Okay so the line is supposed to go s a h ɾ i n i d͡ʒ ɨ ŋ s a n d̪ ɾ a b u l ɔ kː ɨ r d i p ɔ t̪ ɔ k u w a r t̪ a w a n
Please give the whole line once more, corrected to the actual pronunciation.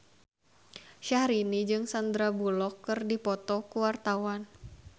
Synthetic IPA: ʃ a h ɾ i n i d͡ʒ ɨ ŋ s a n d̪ ɾ a b u l ɔ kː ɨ r d i p ɔ t̪ ɔ k u w a r t̪ a w a n